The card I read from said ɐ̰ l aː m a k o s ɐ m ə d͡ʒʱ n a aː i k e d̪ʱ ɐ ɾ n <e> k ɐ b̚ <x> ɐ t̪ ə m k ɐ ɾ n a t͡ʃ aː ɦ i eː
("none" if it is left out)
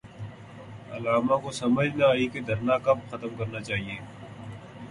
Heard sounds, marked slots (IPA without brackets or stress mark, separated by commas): a, x